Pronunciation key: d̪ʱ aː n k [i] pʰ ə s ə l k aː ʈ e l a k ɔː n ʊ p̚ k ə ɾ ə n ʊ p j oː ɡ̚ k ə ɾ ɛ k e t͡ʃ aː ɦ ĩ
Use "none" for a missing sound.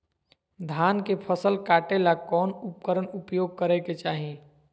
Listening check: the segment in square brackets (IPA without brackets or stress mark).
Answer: e